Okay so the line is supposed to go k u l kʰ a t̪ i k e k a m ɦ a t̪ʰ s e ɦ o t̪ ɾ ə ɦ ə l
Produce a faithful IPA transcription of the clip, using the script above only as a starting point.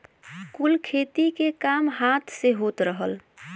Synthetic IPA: k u l kʰ e t̪ i k e k a m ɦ a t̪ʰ s e ɦ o t̪ ɾ ə ɦ ə l